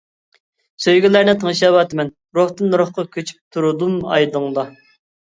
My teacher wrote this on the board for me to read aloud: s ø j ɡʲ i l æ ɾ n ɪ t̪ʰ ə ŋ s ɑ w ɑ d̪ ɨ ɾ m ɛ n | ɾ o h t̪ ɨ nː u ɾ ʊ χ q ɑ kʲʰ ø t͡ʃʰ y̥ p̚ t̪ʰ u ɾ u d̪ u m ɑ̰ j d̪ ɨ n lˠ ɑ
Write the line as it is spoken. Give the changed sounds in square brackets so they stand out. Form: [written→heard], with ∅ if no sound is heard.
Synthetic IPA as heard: s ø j ɡʲ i l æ ɾ n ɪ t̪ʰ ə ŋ [s→ʃ] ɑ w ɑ [d̪→t̪] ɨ [ɾ→∅] m ɛ n | ɾ o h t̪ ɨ nː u ɾ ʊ χ q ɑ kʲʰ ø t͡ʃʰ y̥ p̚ t̪ʰ u ɾ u d̪ u m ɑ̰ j d̪ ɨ [n→ŋ] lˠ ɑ